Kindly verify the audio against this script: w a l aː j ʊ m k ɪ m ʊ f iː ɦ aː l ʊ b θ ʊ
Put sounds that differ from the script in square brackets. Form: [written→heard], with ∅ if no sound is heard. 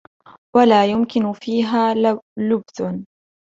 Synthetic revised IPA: w a l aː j ʊ m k ɪ [m→n] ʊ f iː ɦ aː l ʊ b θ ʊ

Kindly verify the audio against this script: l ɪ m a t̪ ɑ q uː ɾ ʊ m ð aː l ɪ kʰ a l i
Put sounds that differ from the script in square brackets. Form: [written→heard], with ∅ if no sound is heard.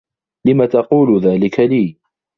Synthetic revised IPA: l ɪ m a t̪ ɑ q uː [ɾ→l] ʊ [m→∅] ð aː l ɪ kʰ a l [i→iː]

